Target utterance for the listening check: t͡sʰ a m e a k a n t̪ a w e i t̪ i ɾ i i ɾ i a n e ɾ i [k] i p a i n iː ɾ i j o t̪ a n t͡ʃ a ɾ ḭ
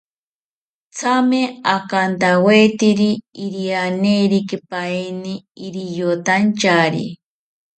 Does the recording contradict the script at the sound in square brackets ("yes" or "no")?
no